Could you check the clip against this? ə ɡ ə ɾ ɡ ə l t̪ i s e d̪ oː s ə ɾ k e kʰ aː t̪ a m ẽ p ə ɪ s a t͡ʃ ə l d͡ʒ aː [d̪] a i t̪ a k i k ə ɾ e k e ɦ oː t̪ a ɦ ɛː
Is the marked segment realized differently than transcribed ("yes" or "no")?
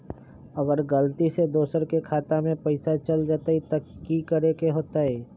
yes